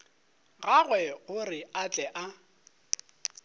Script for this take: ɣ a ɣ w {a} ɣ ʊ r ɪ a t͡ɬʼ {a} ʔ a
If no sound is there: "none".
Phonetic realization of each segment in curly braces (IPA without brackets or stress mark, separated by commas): ɛ, ɛ